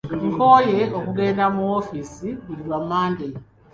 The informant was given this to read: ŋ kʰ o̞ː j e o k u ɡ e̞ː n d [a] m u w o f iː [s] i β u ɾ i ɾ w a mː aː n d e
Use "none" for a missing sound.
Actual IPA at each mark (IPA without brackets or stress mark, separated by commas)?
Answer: a, s